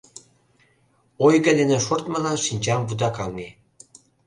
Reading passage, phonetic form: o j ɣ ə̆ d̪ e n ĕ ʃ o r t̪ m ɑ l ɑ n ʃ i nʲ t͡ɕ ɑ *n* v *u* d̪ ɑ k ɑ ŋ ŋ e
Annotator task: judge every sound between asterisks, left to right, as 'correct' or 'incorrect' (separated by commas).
incorrect, correct